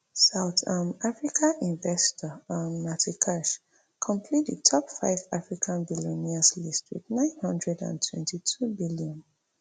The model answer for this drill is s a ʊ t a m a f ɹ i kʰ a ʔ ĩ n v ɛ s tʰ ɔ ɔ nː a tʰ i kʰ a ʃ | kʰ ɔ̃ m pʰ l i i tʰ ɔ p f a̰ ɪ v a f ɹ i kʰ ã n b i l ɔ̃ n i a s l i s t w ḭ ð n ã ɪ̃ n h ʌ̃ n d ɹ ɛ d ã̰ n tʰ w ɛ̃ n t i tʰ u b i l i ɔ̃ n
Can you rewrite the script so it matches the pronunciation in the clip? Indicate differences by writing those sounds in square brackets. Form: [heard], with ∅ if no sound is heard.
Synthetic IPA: s a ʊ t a m a f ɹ i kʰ a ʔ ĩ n v ɛ s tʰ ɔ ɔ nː a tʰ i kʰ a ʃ | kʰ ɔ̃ m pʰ l i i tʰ ɔ p f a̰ ɪ v a f ɹ i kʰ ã n b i l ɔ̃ n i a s l i s t w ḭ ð n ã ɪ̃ n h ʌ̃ n d ɹ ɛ d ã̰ n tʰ w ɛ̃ n t i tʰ u b i l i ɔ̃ n

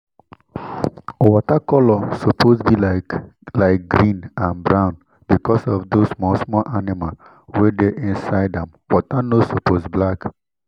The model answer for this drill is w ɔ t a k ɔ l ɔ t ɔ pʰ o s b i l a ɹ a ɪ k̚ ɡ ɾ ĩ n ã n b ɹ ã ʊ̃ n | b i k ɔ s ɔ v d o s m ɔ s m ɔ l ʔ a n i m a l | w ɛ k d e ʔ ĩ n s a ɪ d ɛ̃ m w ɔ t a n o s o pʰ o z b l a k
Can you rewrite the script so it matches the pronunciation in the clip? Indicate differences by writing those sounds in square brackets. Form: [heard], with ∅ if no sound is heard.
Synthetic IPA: w ɔ t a k ɔ l ɔ [s] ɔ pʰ o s b i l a [l] a ɪ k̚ ɡ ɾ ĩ n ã n b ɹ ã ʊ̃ n | b i k ɔ s ɔ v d o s m ɔ s m ɔ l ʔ a n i m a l | w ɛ [∅] d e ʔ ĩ n s a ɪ d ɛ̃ m w ɔ t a n o s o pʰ o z b l a k

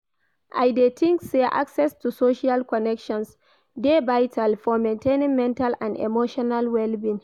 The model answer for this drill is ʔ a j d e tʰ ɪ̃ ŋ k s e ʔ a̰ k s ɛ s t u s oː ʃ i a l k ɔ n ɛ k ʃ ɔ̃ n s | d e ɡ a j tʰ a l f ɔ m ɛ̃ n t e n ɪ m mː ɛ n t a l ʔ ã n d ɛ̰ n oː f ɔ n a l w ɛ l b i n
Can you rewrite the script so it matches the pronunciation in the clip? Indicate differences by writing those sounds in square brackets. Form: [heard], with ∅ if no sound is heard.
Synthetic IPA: ʔ a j d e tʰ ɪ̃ ŋ k s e ʔ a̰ k s ɛ s t u s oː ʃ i a l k ɔ n ɛ k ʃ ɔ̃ n s | d e [b] a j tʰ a l f ɔ m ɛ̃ n t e n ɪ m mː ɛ n t a l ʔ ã n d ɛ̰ [m] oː [ʃ] ɔ n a l w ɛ l b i n

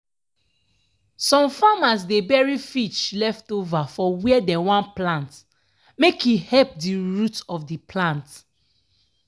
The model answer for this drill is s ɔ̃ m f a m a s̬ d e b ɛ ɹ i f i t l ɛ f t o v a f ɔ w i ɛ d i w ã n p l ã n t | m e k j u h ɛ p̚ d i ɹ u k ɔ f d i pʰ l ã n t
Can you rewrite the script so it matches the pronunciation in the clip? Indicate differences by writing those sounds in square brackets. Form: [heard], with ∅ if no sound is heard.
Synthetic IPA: s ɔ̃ m f a m a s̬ d e b ɛ ɹ i f i [t͡ʃ] l ɛ f t o v a f ɔ w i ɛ d [ɛ] w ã n p l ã n t | m e k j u h ɛ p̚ d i ɹ u [t] ɔ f d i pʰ l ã n t

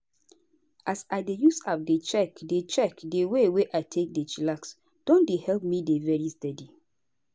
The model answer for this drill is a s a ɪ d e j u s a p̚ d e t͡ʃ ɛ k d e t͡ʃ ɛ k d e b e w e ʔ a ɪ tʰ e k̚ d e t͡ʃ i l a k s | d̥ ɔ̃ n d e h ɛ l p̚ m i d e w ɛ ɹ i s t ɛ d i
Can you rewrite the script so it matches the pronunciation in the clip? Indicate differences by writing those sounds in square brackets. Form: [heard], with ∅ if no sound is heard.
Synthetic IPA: a s a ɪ d e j u s a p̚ d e t͡ʃ ɛ k d e t͡ʃ ɛ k d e [w] e w e ʔ a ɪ tʰ e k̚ d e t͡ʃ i l a k s | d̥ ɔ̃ n d e h ɛ l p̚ m i d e [v] ɛ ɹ i s t ɛ d i

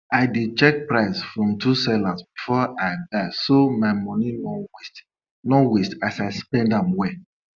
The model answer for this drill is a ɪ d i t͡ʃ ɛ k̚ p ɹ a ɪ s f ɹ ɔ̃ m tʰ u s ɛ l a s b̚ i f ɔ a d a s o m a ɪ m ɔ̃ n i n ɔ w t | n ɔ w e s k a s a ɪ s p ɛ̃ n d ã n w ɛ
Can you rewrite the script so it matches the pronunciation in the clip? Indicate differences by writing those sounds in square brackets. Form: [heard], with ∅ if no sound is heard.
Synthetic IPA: a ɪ d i t͡ʃ ɛ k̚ p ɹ a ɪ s f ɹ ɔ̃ m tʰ u s ɛ l a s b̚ i f ɔ a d a s o m a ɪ m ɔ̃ n i n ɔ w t | n ɔ w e s [t] a s a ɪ s p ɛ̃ n d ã [m] w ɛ

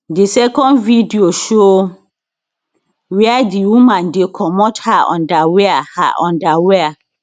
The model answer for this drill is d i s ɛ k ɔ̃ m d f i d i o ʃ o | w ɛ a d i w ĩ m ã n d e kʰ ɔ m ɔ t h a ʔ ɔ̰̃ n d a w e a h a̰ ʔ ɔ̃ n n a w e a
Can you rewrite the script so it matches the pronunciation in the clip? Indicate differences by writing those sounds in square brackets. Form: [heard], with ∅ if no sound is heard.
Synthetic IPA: d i s ɛ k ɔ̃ [n] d [v] i d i o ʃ o | w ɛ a d i w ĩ m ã n d e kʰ ɔ m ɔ t h a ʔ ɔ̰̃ n d a w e a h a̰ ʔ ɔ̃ n [d] a w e a

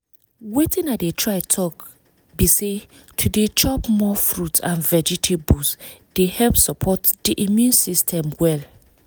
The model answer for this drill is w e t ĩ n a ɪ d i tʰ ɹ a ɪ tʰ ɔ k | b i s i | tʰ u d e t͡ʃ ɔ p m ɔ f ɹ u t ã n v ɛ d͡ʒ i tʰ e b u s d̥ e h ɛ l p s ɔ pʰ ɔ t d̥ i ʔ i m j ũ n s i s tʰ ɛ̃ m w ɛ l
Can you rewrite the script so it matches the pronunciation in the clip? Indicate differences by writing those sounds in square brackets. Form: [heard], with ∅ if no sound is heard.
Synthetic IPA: w e t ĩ n a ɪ d [e] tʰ ɹ a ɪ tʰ ɔ k | b i s [e] | tʰ u d e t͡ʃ ɔ p m ɔ f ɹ u t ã n v ɛ d͡ʒ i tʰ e b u s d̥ e h ɛ l p s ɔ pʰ ɔ t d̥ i ʔ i m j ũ n s i s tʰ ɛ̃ m w ɛ l

